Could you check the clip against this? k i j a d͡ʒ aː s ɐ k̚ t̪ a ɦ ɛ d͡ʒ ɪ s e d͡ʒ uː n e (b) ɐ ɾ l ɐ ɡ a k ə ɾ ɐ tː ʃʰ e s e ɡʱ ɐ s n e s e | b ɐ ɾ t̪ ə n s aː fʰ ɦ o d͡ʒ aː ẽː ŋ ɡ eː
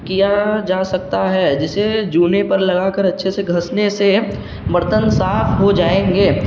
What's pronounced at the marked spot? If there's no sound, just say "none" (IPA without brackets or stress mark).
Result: p